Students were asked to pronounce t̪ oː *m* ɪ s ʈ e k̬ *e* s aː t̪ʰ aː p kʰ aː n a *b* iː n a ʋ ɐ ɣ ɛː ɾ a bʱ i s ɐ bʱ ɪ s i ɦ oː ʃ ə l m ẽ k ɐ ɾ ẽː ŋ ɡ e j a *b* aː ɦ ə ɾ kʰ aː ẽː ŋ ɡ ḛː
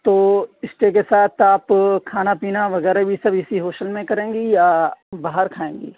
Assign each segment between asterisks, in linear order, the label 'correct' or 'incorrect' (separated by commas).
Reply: incorrect, correct, incorrect, correct